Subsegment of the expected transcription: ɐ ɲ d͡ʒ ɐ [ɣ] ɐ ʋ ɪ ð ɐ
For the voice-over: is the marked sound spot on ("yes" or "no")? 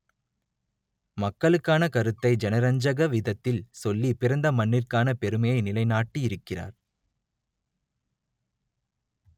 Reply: yes